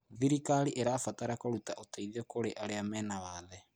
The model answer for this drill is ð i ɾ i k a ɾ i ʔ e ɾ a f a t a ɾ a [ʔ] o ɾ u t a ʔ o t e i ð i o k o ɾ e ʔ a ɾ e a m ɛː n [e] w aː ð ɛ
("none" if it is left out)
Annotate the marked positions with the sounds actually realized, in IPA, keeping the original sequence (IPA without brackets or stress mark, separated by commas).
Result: k, a